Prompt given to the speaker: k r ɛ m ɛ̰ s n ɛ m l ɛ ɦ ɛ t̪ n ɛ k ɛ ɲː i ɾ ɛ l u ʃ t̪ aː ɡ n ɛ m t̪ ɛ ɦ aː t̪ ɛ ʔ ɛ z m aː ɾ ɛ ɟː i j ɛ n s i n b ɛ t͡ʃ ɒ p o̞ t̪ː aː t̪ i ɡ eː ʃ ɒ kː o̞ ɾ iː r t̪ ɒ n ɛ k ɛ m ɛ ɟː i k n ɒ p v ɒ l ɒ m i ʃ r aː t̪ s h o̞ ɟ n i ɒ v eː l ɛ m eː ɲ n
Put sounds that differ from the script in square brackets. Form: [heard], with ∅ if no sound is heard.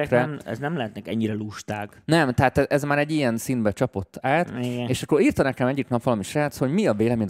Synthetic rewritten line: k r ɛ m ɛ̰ [z] n ɛ m l ɛ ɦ ɛ t̪ n ɛ k ɛ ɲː i ɾ ɛ l u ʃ t̪ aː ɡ n ɛ m t̪ ɛ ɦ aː t̪ ɛ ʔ ɛ z m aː ɾ ɛ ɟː i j ɛ n s i n b ɛ t͡ʃ ɒ p o̞ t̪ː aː t̪ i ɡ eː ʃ ɒ kː o̞ ɾ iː r t̪ ɒ n ɛ k ɛ m ɛ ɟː i k n ɒ p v ɒ l ɒ m i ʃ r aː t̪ s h o̞ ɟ [m] i ɒ v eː l ɛ m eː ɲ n